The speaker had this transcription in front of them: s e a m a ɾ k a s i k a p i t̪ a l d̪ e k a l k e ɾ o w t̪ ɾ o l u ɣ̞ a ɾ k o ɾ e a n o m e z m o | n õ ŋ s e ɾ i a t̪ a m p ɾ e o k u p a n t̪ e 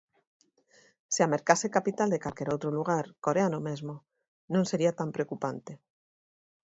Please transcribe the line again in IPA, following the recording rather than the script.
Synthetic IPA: s e a m e ɾ k a s e k a p i t̪ a l d̪ e k a l k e ɾ o w t̪ ɾ o l u ɣ̞ a ɾ k o ɾ e a n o m e z m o | n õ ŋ s e ɾ i a t̪ a m p ɾ e o k u p a n t̪ e